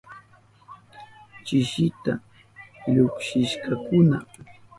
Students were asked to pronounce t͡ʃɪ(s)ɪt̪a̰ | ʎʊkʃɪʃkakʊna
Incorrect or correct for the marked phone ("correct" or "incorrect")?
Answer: incorrect